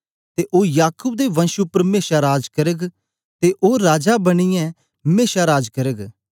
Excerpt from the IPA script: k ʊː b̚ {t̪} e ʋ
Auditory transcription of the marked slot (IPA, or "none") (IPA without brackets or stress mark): d̪